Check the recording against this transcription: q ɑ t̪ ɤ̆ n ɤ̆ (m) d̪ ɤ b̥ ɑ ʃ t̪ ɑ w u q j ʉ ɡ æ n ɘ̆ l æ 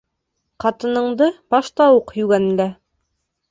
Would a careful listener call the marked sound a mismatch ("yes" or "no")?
yes